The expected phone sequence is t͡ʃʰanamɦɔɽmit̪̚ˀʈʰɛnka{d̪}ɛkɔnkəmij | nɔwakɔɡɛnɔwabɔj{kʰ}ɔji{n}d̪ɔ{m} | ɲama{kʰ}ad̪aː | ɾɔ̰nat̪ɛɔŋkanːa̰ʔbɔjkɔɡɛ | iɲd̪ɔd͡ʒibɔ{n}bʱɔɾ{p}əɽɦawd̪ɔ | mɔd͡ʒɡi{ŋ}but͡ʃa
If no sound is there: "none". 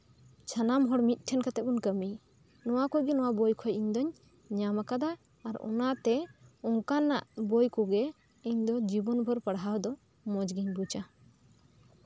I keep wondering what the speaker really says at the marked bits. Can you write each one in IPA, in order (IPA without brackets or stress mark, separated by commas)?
t̪, kʰ, ɲ, ɲ, k, n, p, ɲ